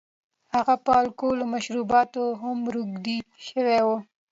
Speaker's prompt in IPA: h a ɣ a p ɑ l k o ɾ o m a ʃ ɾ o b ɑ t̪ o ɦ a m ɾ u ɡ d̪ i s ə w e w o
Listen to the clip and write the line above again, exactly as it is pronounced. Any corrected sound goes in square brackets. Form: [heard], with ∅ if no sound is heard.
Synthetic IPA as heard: h a ɣ a p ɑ l k o [l] o m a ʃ ɾ [u] b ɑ t̪ o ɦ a m ɾ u ɡ d̪ i [ʃ] ə w e w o